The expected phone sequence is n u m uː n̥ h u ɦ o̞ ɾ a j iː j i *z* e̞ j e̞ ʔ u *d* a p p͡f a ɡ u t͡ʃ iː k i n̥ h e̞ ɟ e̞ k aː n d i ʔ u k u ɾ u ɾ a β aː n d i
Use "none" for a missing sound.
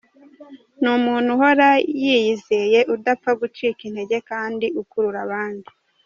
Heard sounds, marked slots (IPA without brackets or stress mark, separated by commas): z, d